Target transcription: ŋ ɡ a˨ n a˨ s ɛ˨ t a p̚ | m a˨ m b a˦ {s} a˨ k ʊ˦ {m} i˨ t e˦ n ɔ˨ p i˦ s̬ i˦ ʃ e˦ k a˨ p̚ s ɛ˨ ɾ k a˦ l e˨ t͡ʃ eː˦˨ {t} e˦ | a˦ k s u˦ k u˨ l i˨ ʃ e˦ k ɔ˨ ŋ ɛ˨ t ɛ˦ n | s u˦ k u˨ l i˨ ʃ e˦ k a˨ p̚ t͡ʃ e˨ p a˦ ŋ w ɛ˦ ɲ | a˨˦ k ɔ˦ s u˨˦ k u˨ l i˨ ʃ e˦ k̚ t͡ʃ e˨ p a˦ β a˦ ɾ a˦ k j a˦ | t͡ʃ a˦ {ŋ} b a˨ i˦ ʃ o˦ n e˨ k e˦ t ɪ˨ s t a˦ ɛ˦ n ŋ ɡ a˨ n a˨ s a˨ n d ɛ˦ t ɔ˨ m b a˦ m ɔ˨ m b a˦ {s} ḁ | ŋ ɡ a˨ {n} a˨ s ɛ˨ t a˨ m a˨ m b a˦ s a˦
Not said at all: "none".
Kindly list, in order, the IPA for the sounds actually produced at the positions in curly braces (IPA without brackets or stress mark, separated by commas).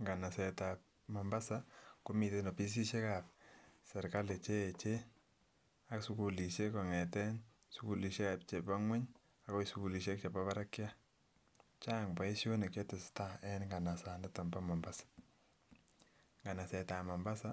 s, m, t͡ʃ, ŋ, s, n